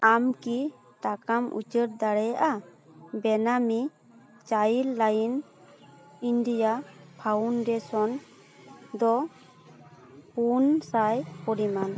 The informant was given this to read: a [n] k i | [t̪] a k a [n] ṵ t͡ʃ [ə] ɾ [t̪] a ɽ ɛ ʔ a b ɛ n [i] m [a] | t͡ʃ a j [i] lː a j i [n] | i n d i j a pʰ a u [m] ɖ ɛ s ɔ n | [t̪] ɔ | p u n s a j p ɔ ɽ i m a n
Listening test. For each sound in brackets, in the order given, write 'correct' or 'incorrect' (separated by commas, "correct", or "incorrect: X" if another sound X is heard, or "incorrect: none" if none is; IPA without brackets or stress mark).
incorrect: m, correct, incorrect: m, correct, incorrect: d̪, incorrect: a, incorrect: i, correct, correct, incorrect: n, incorrect: d̪